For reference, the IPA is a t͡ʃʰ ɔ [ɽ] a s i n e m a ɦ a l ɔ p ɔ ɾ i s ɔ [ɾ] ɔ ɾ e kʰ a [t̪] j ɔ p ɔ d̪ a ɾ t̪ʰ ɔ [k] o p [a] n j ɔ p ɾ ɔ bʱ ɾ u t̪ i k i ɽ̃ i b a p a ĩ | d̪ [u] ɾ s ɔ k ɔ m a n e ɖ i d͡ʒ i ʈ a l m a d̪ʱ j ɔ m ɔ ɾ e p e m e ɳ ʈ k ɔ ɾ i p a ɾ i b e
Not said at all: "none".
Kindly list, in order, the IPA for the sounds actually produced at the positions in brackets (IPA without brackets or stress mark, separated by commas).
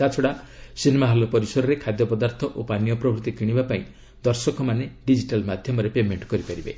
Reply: ɽ, ɾ, d̪, ʔ, a, ɔ